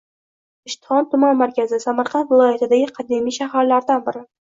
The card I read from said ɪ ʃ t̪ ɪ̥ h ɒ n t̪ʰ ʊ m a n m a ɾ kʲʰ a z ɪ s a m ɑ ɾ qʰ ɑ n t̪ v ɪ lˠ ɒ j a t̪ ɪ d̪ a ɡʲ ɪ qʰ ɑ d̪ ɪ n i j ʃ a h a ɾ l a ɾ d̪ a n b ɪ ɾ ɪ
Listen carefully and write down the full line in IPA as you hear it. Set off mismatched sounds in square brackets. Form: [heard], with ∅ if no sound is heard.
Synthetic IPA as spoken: ɪ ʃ t̪ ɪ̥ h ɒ n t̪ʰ ʊ m a n m a ɾ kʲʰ a z ɪ s a m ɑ ɾ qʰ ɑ n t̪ v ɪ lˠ ɒ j a t̪ ɪ d̪ a ɡʲ ɪ qʰ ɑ d̪ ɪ [m] i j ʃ a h a ɾ l a ɾ d̪ a n b ɪ ɾ ɪ

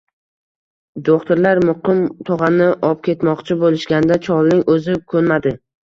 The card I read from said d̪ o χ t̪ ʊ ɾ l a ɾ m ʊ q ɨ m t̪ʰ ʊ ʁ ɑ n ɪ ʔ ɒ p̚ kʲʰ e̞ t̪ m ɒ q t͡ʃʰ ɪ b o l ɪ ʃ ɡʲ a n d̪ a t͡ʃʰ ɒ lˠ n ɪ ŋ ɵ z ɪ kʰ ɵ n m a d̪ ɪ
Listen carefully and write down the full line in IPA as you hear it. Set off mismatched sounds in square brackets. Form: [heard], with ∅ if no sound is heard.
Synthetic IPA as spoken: d̪ o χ t̪ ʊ ɾ l a ɾ m ʊ q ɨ m t̪ʰ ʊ ʁ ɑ n ɪ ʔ ɒ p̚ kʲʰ e̞ t̪ m ɒ q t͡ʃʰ ɪ b o l ɪ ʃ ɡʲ a n d̪ a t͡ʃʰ ɒ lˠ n ɪ ŋ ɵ z ɪ kʰ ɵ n m a d̪ ɪ

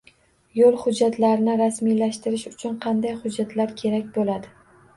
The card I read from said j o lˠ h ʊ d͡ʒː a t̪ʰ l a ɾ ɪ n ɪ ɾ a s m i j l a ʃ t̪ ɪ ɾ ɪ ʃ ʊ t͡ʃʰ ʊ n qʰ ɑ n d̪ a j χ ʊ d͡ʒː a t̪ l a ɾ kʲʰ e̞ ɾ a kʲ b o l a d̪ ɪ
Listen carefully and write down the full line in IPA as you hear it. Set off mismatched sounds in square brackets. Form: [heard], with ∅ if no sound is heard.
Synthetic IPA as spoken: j o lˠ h ʊ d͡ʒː a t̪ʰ l a ɾ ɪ n ɪ ɾ a s m i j l a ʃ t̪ ɪ ɾ ɪ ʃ ʊ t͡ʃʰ ʊ n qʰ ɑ n d̪ a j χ ʊ d͡ʒː a t̪ l a ɾ kʲʰ e̞ ɾ a kʲ b o l a d̪ ɪ

